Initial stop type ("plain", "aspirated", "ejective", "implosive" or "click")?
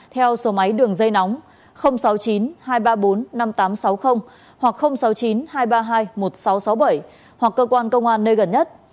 aspirated